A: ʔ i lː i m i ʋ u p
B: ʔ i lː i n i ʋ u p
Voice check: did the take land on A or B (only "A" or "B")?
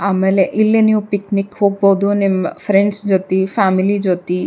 B